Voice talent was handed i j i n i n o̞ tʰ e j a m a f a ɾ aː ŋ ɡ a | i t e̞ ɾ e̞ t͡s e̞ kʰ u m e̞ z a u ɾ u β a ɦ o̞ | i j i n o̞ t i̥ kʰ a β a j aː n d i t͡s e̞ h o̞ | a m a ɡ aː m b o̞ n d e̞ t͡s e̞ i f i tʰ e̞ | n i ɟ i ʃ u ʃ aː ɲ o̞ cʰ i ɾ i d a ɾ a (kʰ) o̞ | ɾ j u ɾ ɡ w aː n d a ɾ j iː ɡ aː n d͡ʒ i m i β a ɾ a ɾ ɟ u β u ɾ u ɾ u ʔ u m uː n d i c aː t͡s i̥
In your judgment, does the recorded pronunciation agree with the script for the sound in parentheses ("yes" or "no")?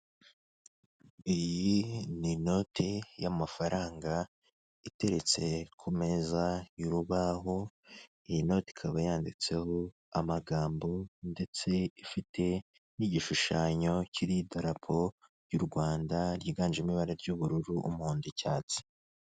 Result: no